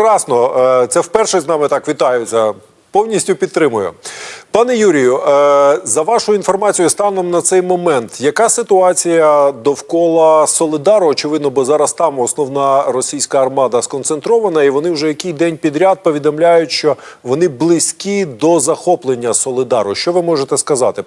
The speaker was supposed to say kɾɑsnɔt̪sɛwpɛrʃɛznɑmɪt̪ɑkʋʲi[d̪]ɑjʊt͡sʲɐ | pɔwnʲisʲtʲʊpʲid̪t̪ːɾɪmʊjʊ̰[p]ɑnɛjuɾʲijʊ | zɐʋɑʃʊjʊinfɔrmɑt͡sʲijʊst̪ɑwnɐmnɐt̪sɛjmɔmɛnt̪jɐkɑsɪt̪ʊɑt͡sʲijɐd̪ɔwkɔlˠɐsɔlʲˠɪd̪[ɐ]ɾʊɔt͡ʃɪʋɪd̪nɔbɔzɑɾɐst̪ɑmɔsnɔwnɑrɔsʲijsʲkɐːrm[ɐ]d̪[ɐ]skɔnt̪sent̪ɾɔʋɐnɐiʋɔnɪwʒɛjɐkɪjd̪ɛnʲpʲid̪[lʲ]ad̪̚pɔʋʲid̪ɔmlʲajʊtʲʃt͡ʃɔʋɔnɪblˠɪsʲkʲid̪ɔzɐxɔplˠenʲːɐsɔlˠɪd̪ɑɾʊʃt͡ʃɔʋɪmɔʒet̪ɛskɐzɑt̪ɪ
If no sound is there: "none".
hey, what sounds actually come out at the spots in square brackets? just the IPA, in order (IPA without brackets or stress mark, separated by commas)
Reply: t̪, p, ɑ, ɑ, ɐ, ɾʲ